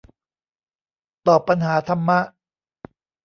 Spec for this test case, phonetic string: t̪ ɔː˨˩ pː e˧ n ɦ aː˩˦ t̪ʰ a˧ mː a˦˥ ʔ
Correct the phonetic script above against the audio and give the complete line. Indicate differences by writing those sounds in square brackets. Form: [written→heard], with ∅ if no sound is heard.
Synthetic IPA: t̪ ɔː˨˩ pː [e˧→a˧] n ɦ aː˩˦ t̪ʰ a˧ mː a˦˥ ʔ